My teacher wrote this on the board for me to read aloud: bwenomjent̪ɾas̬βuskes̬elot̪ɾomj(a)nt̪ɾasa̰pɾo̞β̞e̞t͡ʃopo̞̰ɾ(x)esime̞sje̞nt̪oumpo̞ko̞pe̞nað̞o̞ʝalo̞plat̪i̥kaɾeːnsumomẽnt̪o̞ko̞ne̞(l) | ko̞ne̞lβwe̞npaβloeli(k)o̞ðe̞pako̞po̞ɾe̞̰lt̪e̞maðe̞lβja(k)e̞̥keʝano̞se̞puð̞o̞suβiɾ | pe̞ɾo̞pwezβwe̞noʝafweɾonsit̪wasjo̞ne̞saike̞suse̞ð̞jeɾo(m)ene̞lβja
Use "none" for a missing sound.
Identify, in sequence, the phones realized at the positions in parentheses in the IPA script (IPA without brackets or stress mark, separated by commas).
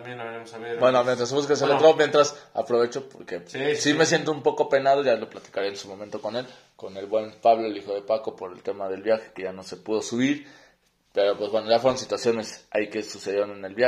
e, k, l, x, x, n